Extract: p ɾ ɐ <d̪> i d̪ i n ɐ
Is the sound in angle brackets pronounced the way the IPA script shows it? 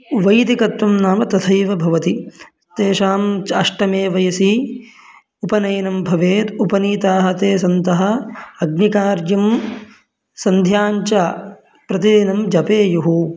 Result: no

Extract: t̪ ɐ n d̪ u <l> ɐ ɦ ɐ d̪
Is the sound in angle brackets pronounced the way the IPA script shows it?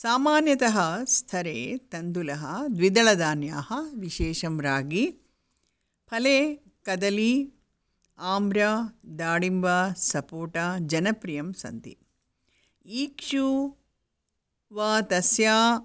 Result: yes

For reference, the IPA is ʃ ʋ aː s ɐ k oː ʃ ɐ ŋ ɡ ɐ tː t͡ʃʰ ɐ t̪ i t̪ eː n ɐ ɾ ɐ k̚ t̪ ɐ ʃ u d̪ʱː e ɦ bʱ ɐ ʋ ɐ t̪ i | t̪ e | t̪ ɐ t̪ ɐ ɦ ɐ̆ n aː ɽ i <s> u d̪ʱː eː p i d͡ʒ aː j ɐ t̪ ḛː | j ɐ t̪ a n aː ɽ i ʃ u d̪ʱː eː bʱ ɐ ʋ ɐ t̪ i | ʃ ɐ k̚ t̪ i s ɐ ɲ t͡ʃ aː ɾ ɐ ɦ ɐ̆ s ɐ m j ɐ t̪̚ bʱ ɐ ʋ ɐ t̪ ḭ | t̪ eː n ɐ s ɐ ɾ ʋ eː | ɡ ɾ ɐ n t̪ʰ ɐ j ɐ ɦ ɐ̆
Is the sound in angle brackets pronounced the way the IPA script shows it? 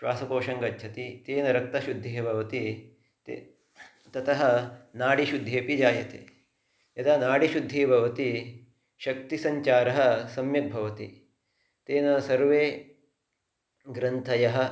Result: no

